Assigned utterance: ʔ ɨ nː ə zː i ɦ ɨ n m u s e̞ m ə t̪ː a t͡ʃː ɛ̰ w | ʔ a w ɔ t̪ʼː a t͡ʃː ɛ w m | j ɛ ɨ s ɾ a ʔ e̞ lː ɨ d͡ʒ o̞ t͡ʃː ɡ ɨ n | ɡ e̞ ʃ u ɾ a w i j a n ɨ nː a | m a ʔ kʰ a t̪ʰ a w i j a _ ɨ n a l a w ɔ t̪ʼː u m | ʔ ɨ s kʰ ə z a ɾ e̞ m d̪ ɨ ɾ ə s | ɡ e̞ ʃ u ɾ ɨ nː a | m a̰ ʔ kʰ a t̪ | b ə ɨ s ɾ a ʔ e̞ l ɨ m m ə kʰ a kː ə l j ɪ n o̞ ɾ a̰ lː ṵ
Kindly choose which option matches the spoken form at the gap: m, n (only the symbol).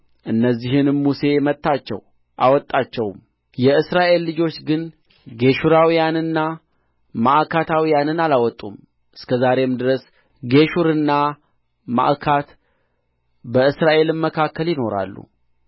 n